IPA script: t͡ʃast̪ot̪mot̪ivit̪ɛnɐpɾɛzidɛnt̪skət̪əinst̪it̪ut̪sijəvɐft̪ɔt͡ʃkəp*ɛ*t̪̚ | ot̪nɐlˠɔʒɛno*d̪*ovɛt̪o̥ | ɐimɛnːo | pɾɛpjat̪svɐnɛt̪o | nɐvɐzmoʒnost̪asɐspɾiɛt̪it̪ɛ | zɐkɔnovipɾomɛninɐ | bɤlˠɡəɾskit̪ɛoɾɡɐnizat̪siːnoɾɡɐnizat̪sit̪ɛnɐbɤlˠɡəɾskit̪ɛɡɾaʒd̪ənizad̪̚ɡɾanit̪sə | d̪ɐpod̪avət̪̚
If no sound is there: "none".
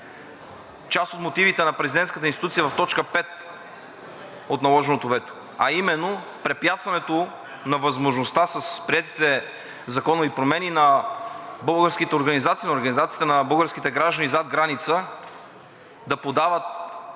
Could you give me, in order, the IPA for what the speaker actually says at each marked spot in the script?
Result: ɛ, t̪

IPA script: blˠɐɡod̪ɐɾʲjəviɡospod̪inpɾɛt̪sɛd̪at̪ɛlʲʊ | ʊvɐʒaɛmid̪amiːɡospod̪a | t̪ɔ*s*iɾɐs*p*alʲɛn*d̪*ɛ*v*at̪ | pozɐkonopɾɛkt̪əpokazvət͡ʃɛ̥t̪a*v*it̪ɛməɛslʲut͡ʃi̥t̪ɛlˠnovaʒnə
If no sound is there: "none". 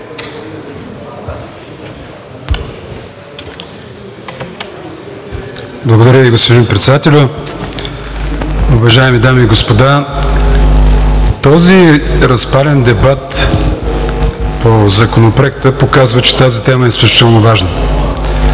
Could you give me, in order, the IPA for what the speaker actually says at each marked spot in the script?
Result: z, p, d̪, b, z

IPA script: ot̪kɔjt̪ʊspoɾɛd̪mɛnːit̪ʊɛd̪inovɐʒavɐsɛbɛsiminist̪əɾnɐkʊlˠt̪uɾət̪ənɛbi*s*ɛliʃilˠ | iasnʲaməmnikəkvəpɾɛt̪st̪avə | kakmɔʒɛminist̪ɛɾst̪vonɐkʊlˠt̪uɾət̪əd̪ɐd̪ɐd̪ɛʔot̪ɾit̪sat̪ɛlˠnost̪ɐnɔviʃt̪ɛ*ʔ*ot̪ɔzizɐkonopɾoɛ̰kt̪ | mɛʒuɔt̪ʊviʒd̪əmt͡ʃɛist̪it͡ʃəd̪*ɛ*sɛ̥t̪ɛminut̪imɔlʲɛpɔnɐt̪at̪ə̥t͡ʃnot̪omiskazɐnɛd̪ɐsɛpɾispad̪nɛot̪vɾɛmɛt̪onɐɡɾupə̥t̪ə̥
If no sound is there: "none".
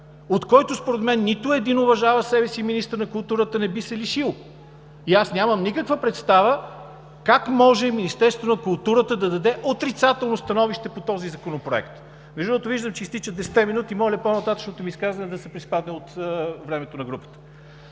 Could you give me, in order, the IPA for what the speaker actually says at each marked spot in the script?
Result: s, p, ɛ

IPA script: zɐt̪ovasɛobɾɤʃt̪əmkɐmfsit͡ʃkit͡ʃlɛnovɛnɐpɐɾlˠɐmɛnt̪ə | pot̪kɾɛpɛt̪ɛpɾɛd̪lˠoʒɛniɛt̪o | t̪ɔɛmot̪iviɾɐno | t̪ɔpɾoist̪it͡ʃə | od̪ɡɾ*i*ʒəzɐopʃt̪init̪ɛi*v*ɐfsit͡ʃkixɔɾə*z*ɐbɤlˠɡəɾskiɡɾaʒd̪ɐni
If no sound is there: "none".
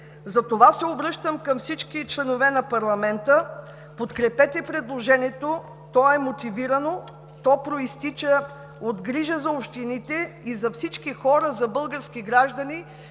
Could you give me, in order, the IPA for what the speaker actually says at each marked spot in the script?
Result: i, z, z

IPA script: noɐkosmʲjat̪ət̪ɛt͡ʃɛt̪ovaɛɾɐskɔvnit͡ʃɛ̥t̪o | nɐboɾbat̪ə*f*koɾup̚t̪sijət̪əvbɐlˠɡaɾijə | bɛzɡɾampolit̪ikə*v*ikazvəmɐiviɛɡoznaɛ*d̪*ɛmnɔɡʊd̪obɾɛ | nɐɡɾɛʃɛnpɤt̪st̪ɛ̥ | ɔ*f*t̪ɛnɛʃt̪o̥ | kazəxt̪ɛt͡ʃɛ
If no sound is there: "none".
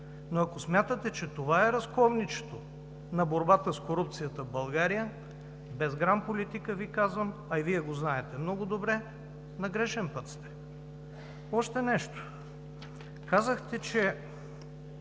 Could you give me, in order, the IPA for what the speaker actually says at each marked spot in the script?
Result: s, v, t̪, ʃ

